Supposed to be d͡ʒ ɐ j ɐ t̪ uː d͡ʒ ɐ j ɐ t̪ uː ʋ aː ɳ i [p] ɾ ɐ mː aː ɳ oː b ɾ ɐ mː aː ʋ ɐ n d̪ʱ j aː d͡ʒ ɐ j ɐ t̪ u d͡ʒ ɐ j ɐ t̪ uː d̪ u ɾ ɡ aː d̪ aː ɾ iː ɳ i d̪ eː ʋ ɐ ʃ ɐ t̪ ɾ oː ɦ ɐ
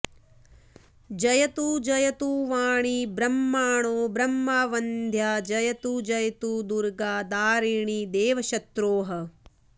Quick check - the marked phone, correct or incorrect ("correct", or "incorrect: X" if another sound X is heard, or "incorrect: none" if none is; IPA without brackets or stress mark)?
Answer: incorrect: b